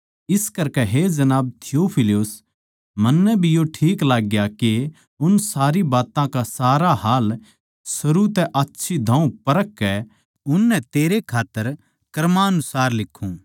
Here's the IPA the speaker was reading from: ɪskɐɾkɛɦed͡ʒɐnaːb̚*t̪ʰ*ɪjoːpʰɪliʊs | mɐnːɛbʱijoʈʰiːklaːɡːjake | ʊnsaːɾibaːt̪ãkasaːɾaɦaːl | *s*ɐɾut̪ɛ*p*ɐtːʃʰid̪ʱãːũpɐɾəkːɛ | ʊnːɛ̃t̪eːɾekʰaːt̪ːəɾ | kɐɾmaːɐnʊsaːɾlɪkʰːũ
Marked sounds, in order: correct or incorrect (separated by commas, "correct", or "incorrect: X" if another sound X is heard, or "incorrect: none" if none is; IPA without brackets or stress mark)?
correct, correct, incorrect: ʔ